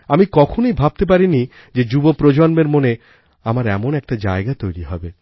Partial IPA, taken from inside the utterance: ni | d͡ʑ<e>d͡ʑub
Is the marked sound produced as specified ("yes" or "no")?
yes